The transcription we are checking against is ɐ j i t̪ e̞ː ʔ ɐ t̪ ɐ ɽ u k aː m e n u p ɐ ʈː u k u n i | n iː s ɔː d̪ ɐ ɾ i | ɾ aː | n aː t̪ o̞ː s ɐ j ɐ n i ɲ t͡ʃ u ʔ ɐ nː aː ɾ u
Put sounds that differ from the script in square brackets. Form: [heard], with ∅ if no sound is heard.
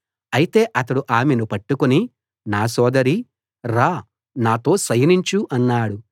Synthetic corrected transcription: ɐ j i t̪ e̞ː ʔ ɐ t̪ ɐ ɽ u [ʔ] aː m e n u p ɐ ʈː u k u n i | n [aː] s ɔː d̪ ɐ ɾ i | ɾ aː | n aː t̪ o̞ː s ɐ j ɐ n i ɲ t͡ʃ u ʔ ɐ nː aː [ɽ] u